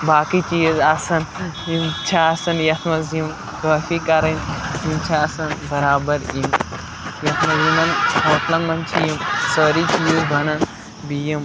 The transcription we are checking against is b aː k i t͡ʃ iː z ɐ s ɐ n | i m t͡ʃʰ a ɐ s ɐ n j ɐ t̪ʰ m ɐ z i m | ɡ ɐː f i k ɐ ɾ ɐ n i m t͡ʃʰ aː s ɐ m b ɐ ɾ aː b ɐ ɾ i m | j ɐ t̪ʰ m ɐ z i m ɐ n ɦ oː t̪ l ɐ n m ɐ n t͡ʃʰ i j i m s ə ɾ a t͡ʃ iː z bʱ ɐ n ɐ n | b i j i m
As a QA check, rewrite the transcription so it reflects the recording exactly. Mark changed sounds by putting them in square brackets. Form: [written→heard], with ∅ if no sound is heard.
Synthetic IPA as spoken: b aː k i t͡ʃ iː z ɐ s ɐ n | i m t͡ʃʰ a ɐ s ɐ n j ɐ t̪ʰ m ɐ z i m | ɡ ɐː f i k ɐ ɾ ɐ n i m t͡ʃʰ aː s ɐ [m→n] b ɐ ɾ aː b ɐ ɾ i m | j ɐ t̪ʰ m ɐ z i m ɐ n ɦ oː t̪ l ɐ n m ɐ n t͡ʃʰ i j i m s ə ɾ [a→i] t͡ʃ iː z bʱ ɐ n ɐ n | b i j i m